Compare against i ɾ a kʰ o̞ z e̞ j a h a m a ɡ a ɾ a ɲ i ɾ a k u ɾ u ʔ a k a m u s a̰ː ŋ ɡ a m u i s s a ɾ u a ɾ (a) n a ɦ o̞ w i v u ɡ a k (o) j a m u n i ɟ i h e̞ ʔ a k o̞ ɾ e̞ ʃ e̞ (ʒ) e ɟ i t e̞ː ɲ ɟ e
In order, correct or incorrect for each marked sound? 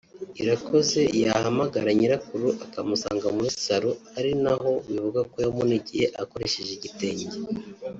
incorrect: i, correct, correct

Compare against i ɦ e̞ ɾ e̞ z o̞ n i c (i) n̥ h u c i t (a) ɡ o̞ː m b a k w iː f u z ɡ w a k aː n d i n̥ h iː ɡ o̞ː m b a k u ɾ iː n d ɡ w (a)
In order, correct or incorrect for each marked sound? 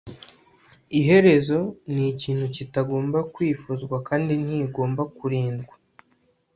incorrect: iː, correct, correct

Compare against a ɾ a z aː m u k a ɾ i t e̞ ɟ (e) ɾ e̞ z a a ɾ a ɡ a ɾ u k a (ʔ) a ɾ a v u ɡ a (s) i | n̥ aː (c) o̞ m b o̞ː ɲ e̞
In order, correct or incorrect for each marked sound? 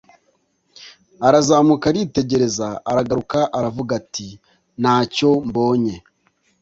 correct, correct, incorrect: t, correct

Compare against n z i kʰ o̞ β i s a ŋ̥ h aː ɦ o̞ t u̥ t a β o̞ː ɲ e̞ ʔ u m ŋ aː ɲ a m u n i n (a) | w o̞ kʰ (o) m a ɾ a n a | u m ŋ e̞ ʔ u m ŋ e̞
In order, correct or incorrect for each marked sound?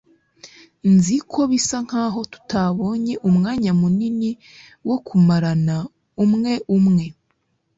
incorrect: i, incorrect: u

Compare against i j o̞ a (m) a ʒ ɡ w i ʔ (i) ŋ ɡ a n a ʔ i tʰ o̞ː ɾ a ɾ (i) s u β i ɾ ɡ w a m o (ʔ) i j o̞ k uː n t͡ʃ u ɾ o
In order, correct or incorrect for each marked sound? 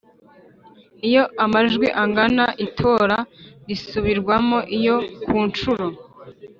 correct, incorrect: a, correct, correct

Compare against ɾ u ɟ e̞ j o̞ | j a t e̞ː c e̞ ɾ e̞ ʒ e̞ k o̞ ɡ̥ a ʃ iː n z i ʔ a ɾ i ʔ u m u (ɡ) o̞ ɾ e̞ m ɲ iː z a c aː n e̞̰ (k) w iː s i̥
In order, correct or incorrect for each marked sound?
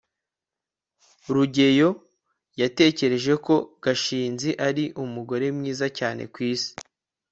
correct, correct

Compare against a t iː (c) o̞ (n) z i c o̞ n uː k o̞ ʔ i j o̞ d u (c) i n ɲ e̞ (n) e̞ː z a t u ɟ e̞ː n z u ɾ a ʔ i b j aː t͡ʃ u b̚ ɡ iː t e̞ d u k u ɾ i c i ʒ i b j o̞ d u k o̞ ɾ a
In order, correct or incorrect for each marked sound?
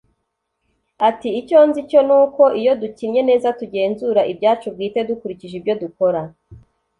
correct, correct, correct, correct

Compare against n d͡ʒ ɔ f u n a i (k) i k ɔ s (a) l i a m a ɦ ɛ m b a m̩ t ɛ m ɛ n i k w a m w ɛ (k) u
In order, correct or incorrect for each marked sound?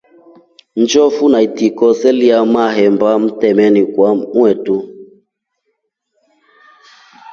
incorrect: t, incorrect: ɛ, incorrect: t

